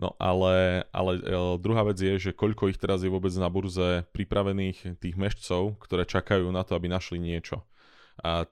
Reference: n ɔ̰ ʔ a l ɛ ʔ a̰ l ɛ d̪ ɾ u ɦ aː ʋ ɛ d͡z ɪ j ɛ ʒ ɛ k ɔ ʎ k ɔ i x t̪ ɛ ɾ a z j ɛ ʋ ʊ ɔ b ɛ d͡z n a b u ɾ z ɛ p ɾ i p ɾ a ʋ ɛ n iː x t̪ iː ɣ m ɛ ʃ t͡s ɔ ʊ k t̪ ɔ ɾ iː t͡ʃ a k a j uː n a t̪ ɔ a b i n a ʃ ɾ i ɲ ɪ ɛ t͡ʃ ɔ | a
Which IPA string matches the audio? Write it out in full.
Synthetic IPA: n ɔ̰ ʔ a l ɛ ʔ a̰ l ɛ d̪ ɾ u ɦ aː ʋ ɛ d͡z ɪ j ɛ ʒ ɛ k ɔ ʎ k ɔ i x t̪ ɛ ɾ a z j ɛ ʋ ʊ ɔ b ɛ d͡z n a b u ɾ z ɛ p ɾ i p ɾ a ʋ ɛ n iː x t̪ iː ɣ m ɛ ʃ t͡s ɔ ʊ k t̪ ɔ ɾ ɛː t͡ʃ a k a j uː n a t̪ ɔ a b i n a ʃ l i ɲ ɪ ɛ t͡ʃ ɔ | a